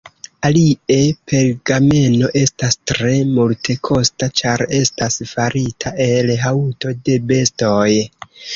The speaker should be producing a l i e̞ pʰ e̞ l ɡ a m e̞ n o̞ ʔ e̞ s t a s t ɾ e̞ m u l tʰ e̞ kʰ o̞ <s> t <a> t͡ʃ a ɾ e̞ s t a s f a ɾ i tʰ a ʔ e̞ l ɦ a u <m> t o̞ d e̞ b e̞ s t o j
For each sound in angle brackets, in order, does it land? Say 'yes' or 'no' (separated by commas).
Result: yes, yes, no